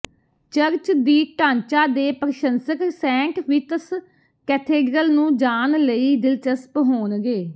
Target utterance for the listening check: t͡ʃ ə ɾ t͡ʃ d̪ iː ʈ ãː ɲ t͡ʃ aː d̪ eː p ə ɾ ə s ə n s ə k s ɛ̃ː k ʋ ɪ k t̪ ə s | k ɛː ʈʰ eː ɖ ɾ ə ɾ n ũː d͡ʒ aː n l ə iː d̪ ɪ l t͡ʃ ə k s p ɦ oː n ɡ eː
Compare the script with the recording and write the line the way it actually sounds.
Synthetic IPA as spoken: t͡ʃ ə ɾ t͡ʃ d̪ iː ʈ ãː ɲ t͡ʃ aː d̪ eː p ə ɾ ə ʃ ə n s ə k s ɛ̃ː k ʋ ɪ t̪ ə s | k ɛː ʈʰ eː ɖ ɾ ə l n ũː d͡ʒ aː n l ə iː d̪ ɪ l t͡ʃ ə s p ɦ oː n ɡ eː